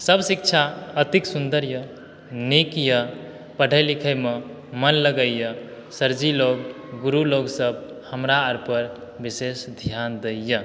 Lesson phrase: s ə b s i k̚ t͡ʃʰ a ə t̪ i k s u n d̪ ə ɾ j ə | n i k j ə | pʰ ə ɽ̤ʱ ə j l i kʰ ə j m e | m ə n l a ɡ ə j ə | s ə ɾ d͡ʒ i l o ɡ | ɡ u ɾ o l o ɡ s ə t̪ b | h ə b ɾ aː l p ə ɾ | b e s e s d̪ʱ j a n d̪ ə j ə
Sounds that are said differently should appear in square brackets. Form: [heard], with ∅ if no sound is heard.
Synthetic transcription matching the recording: s ə b s i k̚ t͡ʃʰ a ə t̪ i k s u n d̪ ə ɾ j ə | n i k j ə | [p] ə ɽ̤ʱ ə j l i kʰ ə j m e | m ə n l [ə] ɡ ə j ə | s ə ɾ d͡ʒ i l o ɡ | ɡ u ɾ [u] l o ɡ s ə [∅] b | h ə [m] ɾ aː [ɾ] p ə ɾ | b [i] s e s d̪ʱ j a n d̪ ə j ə

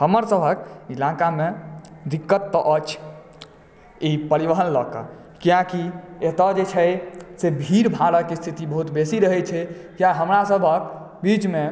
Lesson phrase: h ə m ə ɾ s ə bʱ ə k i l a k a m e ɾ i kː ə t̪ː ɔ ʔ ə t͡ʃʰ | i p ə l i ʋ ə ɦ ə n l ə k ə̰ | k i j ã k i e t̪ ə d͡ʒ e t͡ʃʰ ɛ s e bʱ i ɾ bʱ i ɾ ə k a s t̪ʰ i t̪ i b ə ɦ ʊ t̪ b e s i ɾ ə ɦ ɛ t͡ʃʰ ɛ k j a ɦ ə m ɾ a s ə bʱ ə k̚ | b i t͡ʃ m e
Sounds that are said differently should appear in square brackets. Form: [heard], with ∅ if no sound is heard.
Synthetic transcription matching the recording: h ə m ə ɾ s ə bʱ ə k i l a k a m e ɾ i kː ə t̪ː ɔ ʔ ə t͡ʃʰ | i p ə [ɾ] i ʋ ə ɦ ə n l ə k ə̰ | k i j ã k i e t̪ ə d͡ʒ e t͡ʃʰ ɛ s e bʱ i ɾ bʱ [a] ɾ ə k [e] s t̪ʰ i t̪ i b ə ɦ [u] t̪ b e s i ɾ ə ɦ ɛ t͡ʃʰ ɛ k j a ɦ ə m ɾ a s ə bʱ ə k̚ | b i t͡ʃ m e

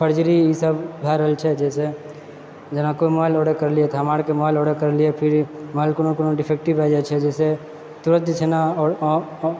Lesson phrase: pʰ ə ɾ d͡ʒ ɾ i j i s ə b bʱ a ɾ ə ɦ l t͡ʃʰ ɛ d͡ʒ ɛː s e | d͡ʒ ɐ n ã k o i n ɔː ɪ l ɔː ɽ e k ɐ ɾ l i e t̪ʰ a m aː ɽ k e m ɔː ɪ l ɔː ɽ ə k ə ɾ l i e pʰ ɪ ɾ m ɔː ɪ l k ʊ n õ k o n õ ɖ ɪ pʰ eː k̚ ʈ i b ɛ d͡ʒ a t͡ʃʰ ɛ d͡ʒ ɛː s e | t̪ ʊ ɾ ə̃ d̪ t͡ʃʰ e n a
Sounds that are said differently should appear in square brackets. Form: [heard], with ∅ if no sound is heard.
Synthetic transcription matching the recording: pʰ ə ɾ d͡ʒ ɾ i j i s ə b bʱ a ɾ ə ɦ l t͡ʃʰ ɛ d͡ʒ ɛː s e | d͡ʒ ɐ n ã k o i [m] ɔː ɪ l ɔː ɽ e k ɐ ɾ l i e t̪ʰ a m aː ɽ k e m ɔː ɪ l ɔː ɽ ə k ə ɾ l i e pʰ ɪ ɾ m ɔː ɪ l k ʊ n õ k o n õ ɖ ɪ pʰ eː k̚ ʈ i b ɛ d͡ʒ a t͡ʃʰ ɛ d͡ʒ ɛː s e | t̪ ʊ ɾ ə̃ [t̪] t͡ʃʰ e n a

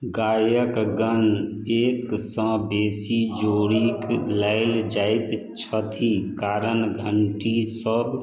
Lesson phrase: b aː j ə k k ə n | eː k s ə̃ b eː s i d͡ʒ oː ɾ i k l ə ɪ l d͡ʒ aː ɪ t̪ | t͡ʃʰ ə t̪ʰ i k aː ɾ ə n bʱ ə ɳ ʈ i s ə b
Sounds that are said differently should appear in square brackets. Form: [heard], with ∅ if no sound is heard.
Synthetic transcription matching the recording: [ɡ] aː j ə k [ɡ] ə n | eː k s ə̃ b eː s i d͡ʒ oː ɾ i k l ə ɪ l d͡ʒ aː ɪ t̪ | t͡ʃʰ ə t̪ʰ i k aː ɾ ə n [ɡʱ] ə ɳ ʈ i s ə b

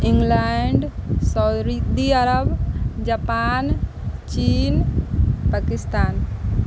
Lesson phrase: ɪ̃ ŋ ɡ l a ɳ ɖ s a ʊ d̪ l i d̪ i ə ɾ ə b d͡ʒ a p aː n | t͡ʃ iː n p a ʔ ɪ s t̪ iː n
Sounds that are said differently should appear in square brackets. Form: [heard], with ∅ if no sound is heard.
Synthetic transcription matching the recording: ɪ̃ ŋ ɡ l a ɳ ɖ s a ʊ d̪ [ɾ] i d̪ i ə ɾ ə b d͡ʒ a p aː n | t͡ʃ iː n p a [k] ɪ s t̪ [aː] n

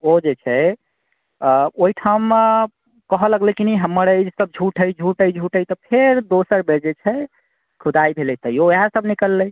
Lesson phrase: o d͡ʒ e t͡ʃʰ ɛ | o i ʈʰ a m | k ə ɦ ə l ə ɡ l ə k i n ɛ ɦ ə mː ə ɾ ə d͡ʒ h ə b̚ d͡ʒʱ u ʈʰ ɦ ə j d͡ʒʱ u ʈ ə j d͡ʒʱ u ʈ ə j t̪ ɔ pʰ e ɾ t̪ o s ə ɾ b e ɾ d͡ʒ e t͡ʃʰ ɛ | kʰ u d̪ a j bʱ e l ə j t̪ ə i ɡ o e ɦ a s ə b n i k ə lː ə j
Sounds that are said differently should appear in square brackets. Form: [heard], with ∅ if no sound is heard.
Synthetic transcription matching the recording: o d͡ʒ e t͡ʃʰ ɛ | o i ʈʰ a m | k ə ɦ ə l ə ɡ l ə k i n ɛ ɦ ə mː ə ɾ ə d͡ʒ [s] ə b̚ d͡ʒʱ u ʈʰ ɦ ə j d͡ʒʱ u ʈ ə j d͡ʒʱ u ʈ ə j t̪ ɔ pʰ e ɾ [d̪] o s ə ɾ b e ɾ d͡ʒ e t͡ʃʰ ɛ | kʰ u d̪ a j bʱ e l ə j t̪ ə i [∅] o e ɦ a s ə b n i k ə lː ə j

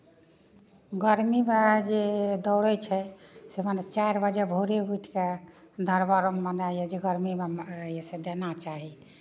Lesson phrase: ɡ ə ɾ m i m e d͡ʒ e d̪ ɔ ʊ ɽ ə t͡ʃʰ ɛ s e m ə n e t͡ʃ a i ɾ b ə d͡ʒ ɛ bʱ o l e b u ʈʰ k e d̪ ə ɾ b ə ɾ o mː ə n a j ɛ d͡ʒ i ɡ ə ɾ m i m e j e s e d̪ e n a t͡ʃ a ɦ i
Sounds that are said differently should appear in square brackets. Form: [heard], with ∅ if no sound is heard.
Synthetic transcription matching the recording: ɡ ə ɾ m i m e d͡ʒ e d̪ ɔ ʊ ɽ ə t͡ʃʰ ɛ s e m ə n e t͡ʃ a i ɾ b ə d͡ʒ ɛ bʱ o [ɾ] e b u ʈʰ k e d̪ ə ɾ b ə ɾ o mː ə n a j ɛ d͡ʒ [e] ɡ ə ɾ m i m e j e s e d̪ e n a t͡ʃ a ɦ i

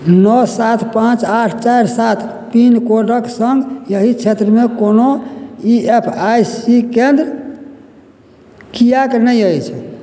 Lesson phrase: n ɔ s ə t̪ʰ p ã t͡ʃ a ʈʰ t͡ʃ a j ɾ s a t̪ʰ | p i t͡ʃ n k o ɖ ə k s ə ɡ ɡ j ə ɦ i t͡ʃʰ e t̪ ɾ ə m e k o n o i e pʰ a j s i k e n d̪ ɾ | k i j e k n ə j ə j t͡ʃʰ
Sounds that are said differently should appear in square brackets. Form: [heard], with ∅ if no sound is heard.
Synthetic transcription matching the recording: n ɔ s [a] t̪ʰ p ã t͡ʃ a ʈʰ t͡ʃ a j ɾ s a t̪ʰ | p i [∅] n k o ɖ ə k s ə [ŋ] ɡ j ə ɦ i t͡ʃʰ e t̪ ɾ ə m e k o n o i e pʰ a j s i k e n d̪ ɾ | k i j [a] k n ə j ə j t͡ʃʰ

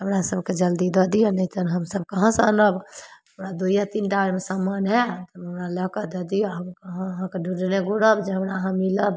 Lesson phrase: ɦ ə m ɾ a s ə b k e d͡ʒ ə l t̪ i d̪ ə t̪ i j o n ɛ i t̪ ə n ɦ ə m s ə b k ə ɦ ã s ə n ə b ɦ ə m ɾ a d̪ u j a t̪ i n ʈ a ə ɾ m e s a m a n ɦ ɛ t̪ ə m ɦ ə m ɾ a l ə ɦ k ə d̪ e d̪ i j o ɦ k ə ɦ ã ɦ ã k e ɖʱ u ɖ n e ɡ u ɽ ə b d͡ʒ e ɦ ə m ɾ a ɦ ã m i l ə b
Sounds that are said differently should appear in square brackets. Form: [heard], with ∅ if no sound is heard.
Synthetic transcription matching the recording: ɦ ə m ɾ a s ə b k e d͡ʒ ə l [d̪] i d̪ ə [d̪] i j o n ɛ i t̪ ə n ɦ ə m s ə b k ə ɦ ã s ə n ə b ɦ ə m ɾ a d̪ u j a t̪ i n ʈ a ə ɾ m e s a m a n ɦ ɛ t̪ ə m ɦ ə m ɾ a l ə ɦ k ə d̪ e d̪ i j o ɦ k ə ɦ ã ɦ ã k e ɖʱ u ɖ n e ɡ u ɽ ə b d͡ʒ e ɦ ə m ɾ a ɦ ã m i l ə b

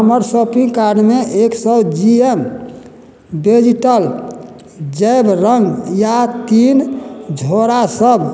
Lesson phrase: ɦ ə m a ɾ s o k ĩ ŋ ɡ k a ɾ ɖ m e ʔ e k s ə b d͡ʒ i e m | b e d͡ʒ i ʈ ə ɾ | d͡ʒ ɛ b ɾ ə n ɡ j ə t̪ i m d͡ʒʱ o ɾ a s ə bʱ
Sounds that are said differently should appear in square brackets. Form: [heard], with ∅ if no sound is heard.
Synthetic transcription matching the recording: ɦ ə m [ə] ɾ s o [p] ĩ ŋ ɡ k a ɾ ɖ m e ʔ e k s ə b d͡ʒ i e m | b e d͡ʒ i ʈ ə [l] | d͡ʒ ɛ b ɾ ə [ŋ] ɡ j [a] t̪ i [n] d͡ʒʱ o ɾ a s ə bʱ

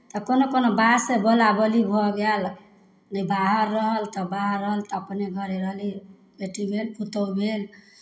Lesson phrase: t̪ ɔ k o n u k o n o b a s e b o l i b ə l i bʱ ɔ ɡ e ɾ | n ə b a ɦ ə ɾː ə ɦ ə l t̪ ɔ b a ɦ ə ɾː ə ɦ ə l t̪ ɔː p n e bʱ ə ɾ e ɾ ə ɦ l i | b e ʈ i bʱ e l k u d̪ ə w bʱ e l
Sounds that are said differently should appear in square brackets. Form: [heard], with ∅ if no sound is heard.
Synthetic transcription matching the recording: t̪ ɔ k o n [o] k o n o b a s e b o l [a] b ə l i bʱ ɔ ɡ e [l] | n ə b a ɦ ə ɾː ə ɦ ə l t̪ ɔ b a ɦ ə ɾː ə ɦ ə l t̪ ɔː p n e [ɡʱ] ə ɾ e ɾ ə ɦ l i | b e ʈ i bʱ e l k u [t̪] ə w bʱ e l

